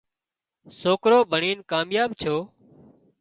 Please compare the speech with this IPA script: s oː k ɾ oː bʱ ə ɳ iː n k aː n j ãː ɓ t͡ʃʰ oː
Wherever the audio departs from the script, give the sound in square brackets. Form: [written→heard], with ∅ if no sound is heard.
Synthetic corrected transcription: s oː k ɾ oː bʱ ə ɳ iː n k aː [n→m] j [ãː→aː] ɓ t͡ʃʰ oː